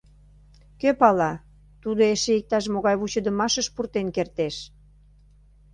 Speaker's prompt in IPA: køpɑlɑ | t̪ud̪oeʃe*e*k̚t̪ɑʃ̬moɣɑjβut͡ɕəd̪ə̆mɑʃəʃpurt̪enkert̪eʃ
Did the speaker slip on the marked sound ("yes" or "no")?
yes